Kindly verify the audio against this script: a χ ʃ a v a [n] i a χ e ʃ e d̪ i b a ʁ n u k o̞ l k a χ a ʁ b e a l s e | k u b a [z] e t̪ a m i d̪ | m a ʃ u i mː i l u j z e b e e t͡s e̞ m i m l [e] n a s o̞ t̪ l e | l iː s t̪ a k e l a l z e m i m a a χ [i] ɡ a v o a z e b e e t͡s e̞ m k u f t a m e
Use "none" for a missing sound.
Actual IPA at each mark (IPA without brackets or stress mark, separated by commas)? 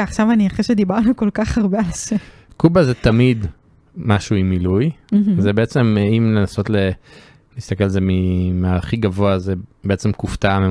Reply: n, z, e, i